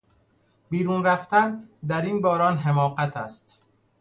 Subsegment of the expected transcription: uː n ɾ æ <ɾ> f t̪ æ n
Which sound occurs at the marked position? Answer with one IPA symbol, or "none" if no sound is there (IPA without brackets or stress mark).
none